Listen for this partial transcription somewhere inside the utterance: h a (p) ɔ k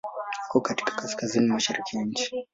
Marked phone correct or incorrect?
incorrect: k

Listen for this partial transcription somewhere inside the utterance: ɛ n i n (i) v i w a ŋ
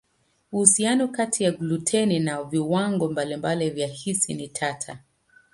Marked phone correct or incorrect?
incorrect: a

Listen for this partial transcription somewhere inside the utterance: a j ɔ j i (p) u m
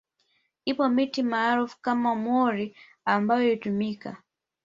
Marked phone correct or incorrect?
incorrect: t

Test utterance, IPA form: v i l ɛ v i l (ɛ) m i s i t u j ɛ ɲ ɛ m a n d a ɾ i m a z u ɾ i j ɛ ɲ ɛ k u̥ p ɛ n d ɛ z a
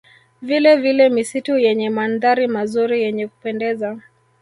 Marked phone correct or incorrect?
correct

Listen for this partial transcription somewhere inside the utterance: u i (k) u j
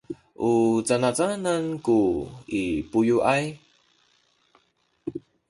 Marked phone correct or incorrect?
incorrect: p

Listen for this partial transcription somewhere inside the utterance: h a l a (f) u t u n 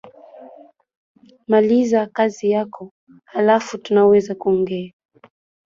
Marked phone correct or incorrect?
correct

